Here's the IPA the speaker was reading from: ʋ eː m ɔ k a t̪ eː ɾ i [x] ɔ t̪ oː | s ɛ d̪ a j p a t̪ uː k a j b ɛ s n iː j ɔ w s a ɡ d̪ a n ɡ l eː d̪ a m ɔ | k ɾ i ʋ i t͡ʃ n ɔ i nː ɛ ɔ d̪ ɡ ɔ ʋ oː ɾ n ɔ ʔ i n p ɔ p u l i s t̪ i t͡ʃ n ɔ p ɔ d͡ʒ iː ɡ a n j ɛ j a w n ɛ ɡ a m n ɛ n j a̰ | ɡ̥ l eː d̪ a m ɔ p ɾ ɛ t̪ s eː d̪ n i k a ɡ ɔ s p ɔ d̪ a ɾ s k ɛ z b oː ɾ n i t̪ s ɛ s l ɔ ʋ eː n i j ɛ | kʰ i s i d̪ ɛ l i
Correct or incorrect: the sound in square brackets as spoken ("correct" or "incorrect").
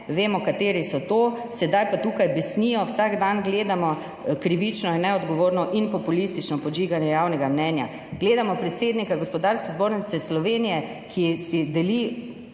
incorrect